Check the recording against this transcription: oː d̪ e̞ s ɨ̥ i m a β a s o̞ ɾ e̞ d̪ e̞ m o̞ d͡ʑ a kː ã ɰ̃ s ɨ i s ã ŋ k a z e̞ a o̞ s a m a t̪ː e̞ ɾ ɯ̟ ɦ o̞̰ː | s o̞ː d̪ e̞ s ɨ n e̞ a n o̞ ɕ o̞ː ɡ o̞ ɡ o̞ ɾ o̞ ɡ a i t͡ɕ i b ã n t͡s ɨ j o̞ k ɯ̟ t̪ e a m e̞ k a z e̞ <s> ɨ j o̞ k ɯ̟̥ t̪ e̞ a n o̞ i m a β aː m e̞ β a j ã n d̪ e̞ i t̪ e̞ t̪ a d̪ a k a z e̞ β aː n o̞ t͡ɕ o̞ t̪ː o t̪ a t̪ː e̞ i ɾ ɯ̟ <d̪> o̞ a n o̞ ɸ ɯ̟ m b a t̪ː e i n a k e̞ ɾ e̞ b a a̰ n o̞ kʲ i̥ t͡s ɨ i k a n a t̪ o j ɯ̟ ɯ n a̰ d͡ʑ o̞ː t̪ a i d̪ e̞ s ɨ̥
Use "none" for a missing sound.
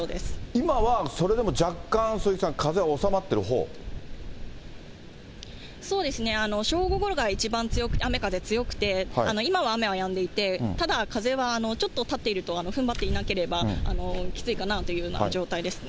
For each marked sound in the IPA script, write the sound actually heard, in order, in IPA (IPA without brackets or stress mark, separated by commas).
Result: t͡s, t̪